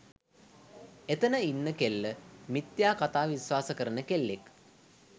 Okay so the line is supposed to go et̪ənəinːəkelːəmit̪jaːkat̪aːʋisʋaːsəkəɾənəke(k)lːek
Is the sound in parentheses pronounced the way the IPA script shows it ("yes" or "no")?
no